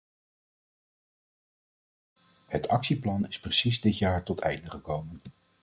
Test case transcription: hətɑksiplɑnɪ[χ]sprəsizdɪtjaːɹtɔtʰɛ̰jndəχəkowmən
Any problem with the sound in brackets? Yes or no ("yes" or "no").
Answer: yes